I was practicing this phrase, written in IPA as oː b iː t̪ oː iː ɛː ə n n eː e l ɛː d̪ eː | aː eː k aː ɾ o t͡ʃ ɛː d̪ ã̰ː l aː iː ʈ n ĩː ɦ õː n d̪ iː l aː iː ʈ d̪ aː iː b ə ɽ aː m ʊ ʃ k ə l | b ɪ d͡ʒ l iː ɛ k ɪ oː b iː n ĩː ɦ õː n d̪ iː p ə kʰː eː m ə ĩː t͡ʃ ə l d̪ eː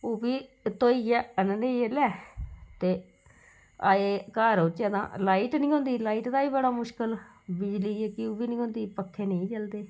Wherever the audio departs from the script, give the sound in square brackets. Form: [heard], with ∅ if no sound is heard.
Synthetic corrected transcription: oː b iː t̪ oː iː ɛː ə n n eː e l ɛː [t̪] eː | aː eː k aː ɾ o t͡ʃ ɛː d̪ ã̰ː l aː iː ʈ n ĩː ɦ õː n d̪ iː l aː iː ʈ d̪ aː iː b ə ɽ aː m ʊ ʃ k ə l | b ɪ d͡ʒ l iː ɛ k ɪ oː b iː n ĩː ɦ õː n d̪ iː p ə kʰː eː [n] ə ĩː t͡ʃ ə l d̪ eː

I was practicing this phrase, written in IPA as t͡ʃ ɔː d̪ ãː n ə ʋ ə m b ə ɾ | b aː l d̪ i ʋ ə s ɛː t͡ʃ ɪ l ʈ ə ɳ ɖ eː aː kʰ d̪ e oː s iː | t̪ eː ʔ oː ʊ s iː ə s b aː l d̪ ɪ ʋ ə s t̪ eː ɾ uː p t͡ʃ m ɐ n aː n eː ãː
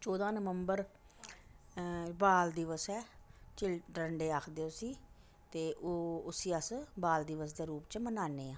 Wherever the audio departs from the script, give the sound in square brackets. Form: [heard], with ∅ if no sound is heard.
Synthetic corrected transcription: t͡ʃ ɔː d̪ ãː n ə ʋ ə m b ə ɾ | b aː l d̪ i ʋ ə s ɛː t͡ʃ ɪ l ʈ ə ɳ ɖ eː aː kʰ d̪ e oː s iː | t̪ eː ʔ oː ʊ s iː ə s b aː l d̪ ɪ ʋ ə s [d̪] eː ɾ uː p t͡ʃ m [ə] n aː n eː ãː

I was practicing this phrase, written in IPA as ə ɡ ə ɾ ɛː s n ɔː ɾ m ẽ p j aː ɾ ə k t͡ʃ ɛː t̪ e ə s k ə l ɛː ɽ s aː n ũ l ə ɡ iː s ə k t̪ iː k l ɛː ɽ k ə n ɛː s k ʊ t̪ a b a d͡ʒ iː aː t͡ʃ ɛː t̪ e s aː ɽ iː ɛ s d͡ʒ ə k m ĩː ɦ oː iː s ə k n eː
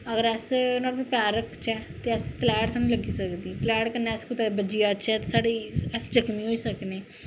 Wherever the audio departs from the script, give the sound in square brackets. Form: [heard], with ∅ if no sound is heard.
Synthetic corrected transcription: ə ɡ ə ɾ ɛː s n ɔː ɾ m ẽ p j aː ɾ ə k t͡ʃ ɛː t̪ e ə s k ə l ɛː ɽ s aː n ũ l ə ɡ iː s ə k [d̪] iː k l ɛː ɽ k ə n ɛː s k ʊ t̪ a b [ə] d͡ʒ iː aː t͡ʃ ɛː t̪ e s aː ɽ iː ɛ s d͡ʒ ə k m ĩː ɦ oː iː s ə k n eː

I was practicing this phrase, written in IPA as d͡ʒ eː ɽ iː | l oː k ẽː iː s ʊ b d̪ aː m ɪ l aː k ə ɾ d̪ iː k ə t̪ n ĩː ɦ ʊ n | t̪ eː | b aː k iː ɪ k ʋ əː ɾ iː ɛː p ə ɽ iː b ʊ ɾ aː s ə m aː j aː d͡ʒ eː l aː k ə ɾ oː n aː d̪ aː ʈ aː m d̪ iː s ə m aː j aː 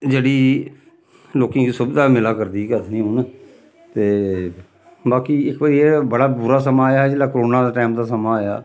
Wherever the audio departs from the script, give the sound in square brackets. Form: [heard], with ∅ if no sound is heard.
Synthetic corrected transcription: d͡ʒ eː ɽ iː | l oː k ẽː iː s ʊ b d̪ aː m ɪ l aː k ə ɾ d̪ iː k ə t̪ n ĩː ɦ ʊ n | t̪ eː | b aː k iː ɪ k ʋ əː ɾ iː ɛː [b] ə ɽ [aː] b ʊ ɾ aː s ə m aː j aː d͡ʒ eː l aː k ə ɾ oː n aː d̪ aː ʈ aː m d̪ [aː] s ə m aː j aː

